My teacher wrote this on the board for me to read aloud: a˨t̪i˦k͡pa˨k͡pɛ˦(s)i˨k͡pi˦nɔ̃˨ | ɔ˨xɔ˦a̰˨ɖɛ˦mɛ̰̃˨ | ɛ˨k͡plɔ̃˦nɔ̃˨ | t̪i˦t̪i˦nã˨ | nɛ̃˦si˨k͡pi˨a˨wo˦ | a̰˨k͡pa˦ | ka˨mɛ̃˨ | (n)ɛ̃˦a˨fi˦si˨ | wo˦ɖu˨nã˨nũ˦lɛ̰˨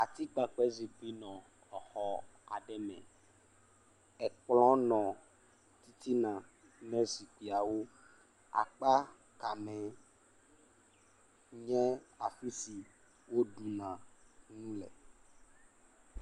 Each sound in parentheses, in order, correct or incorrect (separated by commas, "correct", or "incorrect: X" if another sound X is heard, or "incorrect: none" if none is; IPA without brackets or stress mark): incorrect: z, incorrect: ɲ